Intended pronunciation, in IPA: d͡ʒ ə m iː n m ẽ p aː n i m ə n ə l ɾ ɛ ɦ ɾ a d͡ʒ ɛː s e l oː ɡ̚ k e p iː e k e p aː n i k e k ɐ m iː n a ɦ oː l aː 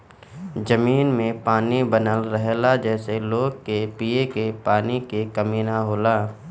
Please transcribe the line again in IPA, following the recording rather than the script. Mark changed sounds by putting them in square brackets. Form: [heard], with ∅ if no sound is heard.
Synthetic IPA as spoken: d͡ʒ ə m iː n m ẽ p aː n i [b] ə n ə l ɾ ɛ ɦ [l] a d͡ʒ ɛː s e l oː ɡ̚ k e p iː e k e p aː n i k e k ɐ m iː n a ɦ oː l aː